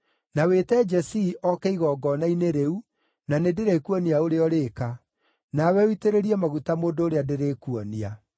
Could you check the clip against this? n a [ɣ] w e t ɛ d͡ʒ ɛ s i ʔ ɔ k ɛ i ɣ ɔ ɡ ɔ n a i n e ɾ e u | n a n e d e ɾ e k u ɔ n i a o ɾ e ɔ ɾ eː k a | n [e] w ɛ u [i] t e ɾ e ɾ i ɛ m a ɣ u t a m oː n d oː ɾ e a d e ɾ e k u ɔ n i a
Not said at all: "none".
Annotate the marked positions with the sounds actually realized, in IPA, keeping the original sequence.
none, a, i

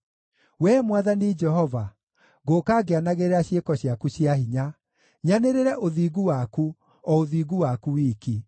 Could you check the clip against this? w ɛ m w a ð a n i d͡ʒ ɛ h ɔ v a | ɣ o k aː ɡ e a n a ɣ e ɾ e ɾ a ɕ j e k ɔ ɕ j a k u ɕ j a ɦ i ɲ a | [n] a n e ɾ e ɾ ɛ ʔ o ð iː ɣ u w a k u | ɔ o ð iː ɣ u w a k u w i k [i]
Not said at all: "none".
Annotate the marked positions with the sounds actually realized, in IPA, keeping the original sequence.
ɲ, i

